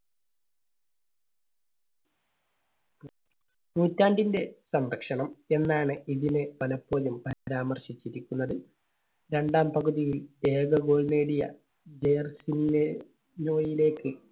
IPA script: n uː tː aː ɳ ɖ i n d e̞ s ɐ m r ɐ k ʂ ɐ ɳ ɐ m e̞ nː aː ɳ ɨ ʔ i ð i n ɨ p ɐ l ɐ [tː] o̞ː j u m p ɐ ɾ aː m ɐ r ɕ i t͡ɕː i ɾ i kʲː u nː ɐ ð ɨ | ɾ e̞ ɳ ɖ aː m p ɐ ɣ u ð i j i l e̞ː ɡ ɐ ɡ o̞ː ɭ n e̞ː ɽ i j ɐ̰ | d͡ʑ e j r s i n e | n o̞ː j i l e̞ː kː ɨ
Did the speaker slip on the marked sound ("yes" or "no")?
yes